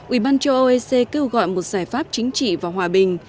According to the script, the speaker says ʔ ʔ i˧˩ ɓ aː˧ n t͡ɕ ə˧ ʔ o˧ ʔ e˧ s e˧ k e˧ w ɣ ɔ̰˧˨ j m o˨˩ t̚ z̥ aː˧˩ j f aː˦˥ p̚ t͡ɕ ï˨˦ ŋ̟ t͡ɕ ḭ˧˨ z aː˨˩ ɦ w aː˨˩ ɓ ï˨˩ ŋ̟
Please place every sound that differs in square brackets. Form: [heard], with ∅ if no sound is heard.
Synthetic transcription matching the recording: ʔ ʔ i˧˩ ɓ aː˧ n t͡ɕ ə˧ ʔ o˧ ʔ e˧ s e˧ k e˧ w ɣ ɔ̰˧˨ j m o˨˩ t̚ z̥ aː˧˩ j f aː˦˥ p̚ t͡ɕ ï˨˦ ŋ̟ t͡ɕ ḭ˧˨ [v] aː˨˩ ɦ w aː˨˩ ɓ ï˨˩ ŋ̟